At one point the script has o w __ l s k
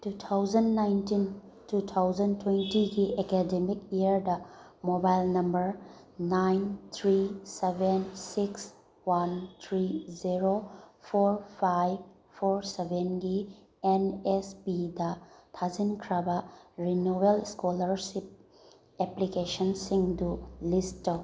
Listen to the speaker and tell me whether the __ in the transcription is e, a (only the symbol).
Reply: e